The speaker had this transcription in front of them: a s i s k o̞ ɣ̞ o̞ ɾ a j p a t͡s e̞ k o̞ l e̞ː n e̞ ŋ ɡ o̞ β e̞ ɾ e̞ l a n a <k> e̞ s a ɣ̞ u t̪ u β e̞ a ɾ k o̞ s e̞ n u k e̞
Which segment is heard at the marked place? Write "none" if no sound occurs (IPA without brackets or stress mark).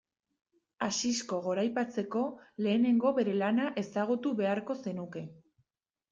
ʔ